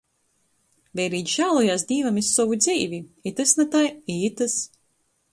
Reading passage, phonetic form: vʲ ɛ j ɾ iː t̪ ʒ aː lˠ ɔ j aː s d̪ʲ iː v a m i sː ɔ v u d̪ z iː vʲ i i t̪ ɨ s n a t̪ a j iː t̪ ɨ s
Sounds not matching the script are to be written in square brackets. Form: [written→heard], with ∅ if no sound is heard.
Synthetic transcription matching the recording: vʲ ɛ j ɾ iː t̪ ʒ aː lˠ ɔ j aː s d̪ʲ iː v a m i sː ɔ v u d̪ z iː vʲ i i t̪ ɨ s n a t̪ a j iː t̪ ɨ s